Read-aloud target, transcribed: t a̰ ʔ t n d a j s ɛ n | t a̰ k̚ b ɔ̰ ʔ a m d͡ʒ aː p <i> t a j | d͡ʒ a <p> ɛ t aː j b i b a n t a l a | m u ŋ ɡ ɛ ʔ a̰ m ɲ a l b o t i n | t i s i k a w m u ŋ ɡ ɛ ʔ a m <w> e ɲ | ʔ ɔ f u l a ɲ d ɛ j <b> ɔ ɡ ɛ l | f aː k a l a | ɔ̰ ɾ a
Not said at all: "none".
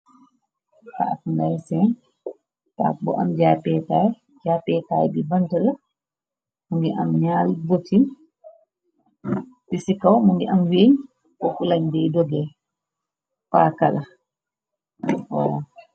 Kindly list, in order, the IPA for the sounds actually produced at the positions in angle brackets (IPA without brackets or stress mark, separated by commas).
ɛ, p, w, d